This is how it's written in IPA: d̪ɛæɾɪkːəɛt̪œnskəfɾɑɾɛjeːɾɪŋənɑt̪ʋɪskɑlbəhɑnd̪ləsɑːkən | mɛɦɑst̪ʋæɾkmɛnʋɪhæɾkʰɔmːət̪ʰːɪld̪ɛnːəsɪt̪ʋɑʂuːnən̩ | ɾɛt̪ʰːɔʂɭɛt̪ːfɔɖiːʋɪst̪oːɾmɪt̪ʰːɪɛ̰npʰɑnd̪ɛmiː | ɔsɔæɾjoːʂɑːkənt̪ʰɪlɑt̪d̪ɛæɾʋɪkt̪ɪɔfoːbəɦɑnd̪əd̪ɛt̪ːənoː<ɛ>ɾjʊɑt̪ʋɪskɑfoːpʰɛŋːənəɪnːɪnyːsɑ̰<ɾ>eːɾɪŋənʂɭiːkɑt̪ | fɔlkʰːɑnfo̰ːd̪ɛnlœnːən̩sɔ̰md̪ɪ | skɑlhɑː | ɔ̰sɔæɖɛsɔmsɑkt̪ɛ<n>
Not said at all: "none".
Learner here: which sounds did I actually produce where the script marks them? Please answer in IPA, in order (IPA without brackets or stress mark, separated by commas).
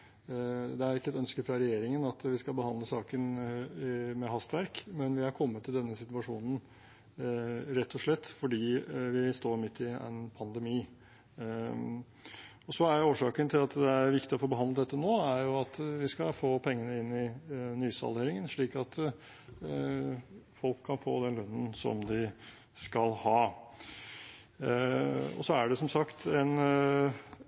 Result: æ, l, n